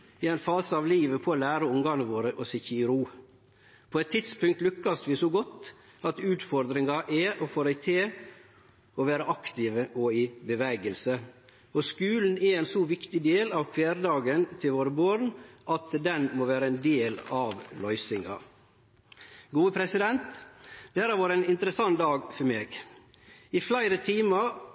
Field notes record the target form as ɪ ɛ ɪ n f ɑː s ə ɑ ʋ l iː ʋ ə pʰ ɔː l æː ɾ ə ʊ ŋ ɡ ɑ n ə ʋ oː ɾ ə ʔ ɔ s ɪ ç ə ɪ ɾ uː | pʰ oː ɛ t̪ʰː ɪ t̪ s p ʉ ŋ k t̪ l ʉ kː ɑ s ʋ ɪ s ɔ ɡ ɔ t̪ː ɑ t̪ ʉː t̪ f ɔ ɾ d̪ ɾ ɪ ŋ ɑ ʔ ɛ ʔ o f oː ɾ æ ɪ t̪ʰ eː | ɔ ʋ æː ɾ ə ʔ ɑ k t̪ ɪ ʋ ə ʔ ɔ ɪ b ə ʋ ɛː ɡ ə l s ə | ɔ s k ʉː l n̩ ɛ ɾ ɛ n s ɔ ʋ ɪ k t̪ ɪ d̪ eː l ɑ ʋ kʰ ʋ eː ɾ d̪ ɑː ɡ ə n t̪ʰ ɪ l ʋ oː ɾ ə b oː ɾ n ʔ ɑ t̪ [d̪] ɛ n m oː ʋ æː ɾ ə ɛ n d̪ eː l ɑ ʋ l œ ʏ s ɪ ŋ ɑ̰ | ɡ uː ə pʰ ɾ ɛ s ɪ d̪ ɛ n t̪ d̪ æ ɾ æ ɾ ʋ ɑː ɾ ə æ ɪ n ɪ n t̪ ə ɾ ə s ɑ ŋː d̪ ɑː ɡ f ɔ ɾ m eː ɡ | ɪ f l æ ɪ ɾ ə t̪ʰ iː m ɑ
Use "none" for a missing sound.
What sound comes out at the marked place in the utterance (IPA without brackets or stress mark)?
d̪